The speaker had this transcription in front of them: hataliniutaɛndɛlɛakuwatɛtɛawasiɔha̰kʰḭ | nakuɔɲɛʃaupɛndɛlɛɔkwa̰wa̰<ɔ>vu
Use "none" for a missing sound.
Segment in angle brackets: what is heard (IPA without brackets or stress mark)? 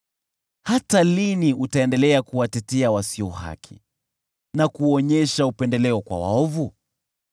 ɔ